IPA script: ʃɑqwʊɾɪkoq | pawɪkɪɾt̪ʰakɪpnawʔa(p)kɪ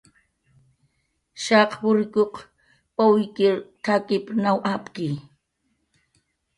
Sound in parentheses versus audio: correct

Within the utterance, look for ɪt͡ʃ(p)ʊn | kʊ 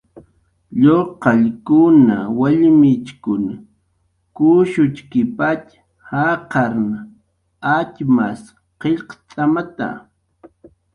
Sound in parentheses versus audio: incorrect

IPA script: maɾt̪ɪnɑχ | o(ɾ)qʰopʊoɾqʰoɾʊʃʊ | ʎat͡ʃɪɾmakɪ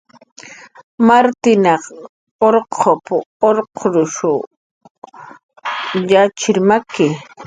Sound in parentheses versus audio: correct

